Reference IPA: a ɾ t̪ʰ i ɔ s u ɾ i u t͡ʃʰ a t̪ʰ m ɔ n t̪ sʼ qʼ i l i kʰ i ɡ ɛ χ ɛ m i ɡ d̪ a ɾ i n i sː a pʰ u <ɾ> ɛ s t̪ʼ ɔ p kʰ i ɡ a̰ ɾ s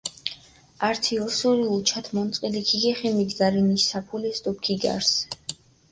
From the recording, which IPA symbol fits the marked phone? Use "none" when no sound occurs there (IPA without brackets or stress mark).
l